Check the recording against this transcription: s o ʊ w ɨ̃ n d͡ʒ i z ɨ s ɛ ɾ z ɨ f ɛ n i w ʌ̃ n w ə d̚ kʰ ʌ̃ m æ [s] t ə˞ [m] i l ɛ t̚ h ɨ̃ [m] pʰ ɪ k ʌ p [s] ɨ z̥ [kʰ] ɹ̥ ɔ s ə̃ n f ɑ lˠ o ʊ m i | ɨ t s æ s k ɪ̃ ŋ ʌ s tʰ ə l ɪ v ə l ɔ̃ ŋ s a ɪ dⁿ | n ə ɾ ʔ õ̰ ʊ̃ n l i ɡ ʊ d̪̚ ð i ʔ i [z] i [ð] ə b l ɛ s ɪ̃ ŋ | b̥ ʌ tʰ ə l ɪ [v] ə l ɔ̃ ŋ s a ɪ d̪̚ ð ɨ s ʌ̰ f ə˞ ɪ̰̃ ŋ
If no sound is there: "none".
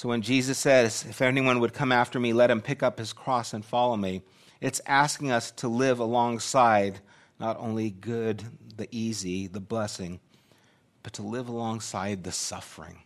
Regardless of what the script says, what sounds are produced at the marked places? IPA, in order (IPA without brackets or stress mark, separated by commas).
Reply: f, m, m, h, kʰ, z, ð, v